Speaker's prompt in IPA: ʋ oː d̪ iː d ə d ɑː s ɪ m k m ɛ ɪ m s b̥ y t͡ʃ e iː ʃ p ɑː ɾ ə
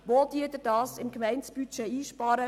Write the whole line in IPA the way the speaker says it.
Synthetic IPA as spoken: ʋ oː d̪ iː d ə d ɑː s ɪ m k m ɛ ɪ n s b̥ y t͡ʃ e iː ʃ p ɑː ɾ ə